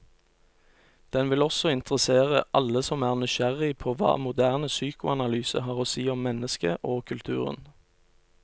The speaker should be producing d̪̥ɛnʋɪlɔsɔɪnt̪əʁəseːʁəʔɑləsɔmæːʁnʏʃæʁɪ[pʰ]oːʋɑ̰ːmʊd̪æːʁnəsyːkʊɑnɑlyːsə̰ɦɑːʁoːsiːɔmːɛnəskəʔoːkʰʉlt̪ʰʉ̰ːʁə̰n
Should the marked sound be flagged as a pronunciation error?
no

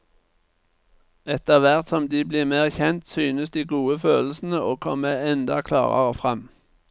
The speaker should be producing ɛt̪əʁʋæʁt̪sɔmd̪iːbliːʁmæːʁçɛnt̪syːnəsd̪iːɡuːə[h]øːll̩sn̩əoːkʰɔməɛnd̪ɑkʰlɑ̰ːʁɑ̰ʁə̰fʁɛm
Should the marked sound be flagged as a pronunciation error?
yes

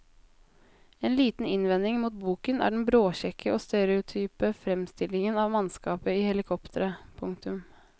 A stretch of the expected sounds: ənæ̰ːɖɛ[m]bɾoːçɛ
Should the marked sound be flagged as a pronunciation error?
yes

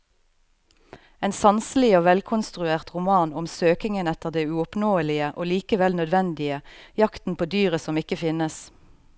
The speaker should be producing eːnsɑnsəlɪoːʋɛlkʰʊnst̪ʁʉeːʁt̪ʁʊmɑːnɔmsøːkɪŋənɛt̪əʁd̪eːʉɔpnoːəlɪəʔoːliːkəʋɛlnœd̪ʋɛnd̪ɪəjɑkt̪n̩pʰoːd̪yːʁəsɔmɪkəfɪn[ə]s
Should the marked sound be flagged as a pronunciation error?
no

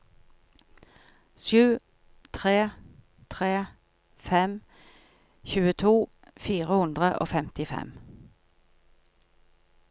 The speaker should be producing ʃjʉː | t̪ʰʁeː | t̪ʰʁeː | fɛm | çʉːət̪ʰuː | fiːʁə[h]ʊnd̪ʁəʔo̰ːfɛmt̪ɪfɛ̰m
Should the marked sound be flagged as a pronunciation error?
no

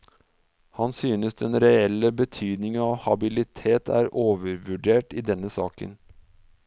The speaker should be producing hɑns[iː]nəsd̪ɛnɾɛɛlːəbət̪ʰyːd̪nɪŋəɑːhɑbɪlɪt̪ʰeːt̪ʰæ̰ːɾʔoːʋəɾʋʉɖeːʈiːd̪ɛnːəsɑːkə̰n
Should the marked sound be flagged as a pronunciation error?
yes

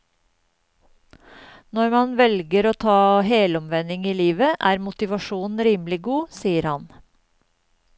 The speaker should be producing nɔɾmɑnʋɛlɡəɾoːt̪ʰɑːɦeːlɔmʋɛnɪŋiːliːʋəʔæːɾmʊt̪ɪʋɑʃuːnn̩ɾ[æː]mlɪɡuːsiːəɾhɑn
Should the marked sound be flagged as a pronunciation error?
yes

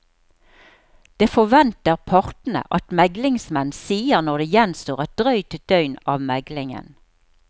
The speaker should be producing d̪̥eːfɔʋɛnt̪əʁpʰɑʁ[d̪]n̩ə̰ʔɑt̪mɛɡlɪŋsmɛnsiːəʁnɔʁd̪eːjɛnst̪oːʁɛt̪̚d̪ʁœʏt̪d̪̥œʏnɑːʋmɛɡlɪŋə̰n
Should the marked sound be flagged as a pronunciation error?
yes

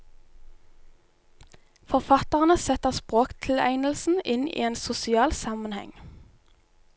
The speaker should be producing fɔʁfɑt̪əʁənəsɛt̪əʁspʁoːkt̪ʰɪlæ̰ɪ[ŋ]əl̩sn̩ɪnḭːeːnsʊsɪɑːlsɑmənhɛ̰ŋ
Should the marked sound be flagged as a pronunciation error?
yes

